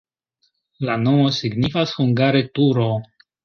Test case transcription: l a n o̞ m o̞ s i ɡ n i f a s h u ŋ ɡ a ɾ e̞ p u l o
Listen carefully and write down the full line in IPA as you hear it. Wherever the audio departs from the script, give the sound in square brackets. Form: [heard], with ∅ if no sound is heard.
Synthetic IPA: l a n o̞ m o̞ s i ɡ n i f a s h u ŋ ɡ a ɾ e̞ [t] u [ɾ] o

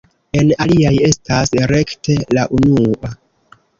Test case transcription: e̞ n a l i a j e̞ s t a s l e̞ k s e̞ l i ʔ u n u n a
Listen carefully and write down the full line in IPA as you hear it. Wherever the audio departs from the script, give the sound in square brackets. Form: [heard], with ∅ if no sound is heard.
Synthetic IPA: e̞ n a l i a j e̞ s t a s [ɾ] e̞ k [t] e̞ l [a] ʔ u n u [∅] a

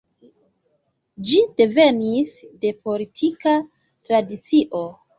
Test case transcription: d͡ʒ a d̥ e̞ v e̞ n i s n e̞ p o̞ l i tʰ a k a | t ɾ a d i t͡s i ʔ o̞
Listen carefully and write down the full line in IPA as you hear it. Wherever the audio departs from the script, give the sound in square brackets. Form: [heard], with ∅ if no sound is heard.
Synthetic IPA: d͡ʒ [i] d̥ e̞ v e̞ n i s [d] e̞ p o̞ l i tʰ [i] k a | t ɾ a d i t͡s i ʔ o̞

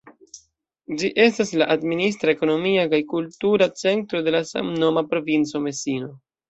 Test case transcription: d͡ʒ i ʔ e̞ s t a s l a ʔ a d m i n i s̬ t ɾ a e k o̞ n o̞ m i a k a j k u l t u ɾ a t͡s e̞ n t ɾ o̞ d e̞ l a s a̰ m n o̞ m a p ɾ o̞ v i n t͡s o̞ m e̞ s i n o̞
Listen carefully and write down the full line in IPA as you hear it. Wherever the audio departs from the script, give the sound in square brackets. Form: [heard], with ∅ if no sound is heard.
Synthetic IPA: d͡ʒ i ʔ e̞ s t a s l a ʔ a d m i n i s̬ t ɾ a e k o̞ n o̞ m i a k a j k u l t u ɾ a t͡s e̞ n t ɾ o̞ d e̞ l a s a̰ m n o̞ m a p ɾ o̞ v i n t͡s o̞ m e̞ s i n o̞

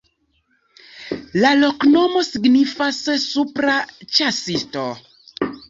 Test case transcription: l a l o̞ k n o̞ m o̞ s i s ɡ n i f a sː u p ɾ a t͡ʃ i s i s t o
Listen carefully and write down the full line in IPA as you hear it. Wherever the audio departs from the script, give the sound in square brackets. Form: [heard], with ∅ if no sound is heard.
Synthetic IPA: l a l o̞ k n o̞ m o̞ s i [∅] ɡ n i f a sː u p ɾ a t͡ʃ [a] s i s t o

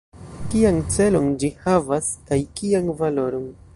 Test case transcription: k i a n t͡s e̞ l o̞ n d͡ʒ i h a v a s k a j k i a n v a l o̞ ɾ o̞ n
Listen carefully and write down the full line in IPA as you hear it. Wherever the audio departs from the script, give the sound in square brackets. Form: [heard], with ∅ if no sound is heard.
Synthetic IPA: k i a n t͡s e̞ l o̞ n d͡ʒ i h a v a s k a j k i a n v a l o̞ ɾ o̞ n

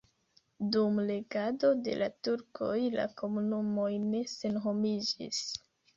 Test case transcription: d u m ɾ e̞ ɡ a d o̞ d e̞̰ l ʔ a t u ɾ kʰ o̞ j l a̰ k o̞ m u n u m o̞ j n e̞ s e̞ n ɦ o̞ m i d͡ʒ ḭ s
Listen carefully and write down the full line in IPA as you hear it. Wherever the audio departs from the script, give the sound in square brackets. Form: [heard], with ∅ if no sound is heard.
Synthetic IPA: d u m [l] e̞ ɡ a d o̞ d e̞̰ l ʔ a t u ɾ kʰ o̞ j l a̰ k o̞ m u n u m o̞ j n e̞ s e̞ n ɦ o̞ m i d͡ʒ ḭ s

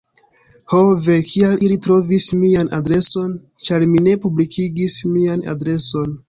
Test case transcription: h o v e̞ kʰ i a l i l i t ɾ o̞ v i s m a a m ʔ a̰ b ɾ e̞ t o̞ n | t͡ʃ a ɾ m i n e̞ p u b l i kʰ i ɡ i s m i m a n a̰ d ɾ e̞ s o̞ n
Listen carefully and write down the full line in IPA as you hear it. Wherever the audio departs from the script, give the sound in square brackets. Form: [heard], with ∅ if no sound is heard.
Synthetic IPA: h o v e̞ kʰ i a l i l i t ɾ o̞ v i s m [i] a [n] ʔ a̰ [d] ɾ e̞ [s] o̞ n | t͡ʃ a ɾ m i n e̞ p u b l i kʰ i ɡ i s m i [∅] a n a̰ d ɾ e̞ s o̞ n

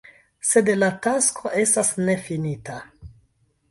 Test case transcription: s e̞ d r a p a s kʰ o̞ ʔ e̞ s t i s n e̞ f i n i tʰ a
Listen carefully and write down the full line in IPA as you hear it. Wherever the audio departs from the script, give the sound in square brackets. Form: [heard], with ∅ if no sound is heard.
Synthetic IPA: s e̞ d [l] a [t] a s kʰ o̞ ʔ e̞ s t [a] s n e̞ f i n i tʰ a

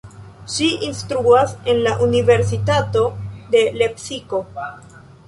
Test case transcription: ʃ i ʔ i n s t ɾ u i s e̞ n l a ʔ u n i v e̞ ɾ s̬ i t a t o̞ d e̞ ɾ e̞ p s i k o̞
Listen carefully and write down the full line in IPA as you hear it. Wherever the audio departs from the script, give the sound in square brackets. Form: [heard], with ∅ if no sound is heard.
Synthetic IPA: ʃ i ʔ i n s t ɾ u [a] s e̞ n l a ʔ u n i v e̞ ɾ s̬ i t a t o̞ d e̞ [l] e̞ p s i k o̞

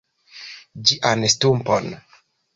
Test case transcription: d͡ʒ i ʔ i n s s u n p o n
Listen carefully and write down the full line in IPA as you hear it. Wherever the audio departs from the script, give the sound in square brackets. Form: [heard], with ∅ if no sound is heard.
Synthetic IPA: d͡ʒ i ʔ [a] n s [t] u [m] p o n

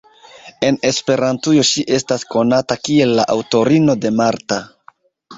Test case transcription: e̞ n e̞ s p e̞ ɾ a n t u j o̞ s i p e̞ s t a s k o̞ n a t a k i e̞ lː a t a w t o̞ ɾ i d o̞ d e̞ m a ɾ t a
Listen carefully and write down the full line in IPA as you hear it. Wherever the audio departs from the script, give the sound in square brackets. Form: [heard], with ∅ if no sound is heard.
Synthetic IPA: e̞ n e̞ s p e̞ ɾ a n t u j o̞ [ʃ] i [ʔ] e̞ s t a s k o̞ n a t a k i e̞ lː a [ʔ] a w t o̞ ɾ i [n] o̞ d e̞ m a ɾ t a

